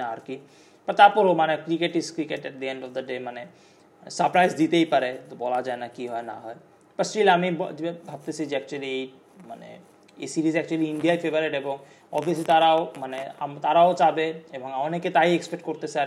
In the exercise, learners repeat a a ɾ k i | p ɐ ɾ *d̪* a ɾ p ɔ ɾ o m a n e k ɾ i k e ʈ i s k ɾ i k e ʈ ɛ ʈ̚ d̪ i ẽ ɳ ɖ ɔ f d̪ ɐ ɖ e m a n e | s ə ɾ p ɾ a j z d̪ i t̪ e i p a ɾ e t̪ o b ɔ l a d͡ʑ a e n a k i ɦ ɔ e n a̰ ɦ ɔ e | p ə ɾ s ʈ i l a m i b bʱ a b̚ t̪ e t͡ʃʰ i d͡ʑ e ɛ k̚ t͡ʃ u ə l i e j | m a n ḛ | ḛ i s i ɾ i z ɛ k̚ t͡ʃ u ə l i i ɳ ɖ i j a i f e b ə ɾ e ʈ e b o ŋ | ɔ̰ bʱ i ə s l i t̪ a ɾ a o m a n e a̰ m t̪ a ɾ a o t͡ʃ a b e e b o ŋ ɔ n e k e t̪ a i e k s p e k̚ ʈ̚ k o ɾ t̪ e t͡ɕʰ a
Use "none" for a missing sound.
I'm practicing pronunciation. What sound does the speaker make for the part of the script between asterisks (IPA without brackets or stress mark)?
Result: t̪